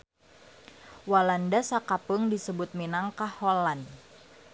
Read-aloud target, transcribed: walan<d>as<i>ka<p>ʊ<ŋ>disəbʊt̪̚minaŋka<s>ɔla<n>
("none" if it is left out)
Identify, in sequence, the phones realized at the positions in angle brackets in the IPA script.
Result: d, a, p, ŋ, h, n

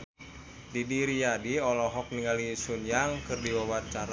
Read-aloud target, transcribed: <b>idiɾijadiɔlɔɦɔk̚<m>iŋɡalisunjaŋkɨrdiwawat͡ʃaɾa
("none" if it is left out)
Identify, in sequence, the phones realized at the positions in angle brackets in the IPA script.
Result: d, n

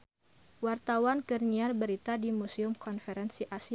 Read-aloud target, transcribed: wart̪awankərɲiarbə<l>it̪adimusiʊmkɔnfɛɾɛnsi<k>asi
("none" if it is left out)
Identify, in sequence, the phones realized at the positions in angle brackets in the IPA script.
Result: ɾ, ʔ

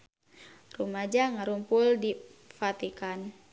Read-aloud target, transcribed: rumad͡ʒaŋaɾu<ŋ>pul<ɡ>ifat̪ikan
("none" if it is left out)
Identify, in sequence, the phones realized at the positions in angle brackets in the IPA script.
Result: m, d

